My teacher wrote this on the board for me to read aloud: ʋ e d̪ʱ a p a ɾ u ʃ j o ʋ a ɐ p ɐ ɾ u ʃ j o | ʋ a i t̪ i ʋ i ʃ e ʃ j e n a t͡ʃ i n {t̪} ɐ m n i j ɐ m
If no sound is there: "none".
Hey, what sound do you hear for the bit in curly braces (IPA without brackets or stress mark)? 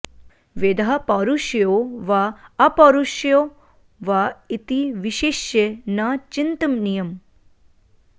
t̪